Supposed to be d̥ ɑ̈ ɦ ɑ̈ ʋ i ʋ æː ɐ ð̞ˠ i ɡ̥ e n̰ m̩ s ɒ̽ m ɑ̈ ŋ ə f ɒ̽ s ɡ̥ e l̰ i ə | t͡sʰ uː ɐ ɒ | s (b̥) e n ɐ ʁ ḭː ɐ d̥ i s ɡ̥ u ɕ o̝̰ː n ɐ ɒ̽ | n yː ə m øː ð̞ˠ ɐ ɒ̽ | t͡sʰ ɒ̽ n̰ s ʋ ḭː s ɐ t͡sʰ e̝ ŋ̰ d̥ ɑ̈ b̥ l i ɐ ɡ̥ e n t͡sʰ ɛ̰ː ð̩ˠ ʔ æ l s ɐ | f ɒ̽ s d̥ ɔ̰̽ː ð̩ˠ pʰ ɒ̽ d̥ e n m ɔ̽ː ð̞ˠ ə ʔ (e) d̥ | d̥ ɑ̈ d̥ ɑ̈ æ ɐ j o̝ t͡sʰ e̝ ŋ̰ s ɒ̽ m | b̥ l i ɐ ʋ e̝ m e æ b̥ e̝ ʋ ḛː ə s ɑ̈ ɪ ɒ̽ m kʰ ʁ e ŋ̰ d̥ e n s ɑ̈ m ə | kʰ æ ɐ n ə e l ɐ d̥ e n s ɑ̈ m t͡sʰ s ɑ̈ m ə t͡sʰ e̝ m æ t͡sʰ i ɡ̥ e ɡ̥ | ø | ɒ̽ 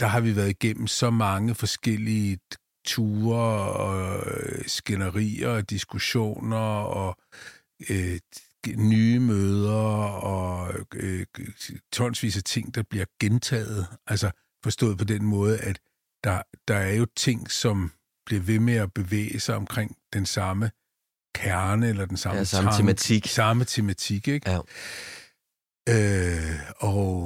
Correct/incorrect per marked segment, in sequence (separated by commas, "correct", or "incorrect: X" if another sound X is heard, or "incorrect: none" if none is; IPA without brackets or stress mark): incorrect: ɡ̥, incorrect: æ